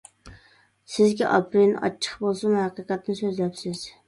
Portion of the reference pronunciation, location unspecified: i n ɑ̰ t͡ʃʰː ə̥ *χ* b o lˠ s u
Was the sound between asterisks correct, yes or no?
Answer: yes